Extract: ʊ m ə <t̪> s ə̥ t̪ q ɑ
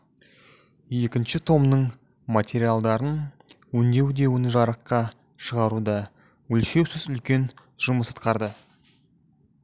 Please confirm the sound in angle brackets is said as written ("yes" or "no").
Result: no